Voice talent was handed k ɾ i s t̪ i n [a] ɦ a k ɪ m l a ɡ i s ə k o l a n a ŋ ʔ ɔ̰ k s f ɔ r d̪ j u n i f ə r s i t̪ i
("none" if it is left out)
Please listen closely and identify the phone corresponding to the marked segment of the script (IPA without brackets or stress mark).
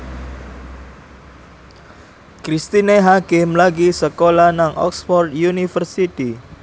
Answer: e